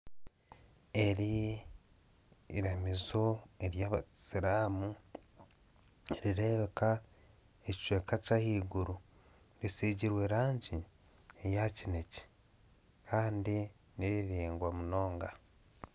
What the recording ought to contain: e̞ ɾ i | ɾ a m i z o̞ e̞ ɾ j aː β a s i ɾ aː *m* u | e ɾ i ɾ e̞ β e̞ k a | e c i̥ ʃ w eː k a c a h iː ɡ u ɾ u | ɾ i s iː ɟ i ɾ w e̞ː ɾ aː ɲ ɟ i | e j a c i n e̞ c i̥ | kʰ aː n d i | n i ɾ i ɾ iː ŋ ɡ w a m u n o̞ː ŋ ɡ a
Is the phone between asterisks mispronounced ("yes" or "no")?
no